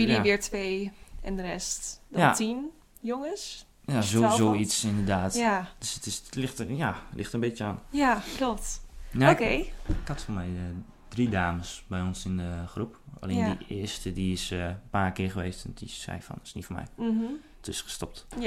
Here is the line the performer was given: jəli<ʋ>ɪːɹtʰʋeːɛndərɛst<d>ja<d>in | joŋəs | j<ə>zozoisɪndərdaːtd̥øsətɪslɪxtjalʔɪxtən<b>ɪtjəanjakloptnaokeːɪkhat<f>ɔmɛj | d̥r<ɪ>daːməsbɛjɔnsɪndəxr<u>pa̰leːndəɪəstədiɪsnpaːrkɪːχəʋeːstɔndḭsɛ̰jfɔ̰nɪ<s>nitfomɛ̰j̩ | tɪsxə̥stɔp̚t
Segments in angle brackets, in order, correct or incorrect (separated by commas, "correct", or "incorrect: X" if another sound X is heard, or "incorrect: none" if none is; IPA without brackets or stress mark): correct, correct, incorrect: t, incorrect: a, correct, correct, incorrect: i, correct, correct